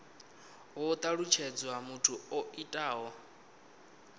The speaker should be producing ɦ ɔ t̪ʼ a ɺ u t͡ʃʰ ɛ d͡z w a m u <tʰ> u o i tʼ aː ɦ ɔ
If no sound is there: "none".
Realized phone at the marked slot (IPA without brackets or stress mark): tʰ